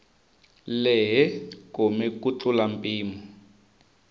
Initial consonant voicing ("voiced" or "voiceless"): voiced